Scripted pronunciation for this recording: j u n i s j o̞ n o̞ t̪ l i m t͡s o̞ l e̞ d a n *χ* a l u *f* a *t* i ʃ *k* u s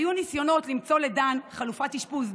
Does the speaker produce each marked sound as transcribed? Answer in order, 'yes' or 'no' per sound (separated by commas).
yes, yes, yes, no